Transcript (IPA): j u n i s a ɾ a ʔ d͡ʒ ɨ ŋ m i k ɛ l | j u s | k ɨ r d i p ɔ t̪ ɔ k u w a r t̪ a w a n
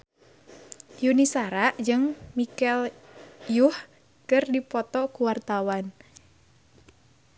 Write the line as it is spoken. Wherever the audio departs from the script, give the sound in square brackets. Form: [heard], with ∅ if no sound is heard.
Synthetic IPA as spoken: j u n i s a ɾ a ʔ d͡ʒ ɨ ŋ m i k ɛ l | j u [h] | k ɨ r d i p ɔ t̪ ɔ k u w a r t̪ a w a n